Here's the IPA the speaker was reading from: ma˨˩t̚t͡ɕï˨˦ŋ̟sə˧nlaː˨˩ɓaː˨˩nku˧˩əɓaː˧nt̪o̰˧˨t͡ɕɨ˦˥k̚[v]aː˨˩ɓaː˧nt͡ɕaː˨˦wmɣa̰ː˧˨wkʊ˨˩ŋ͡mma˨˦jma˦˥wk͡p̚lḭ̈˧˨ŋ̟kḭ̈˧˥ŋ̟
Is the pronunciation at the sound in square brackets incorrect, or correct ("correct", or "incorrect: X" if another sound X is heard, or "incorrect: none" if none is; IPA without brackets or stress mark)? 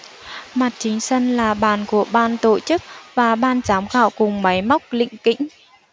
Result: correct